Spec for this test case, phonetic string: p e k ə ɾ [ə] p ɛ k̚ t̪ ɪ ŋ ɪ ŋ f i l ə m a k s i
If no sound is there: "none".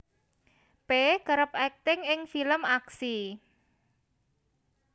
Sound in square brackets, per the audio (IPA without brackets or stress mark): ə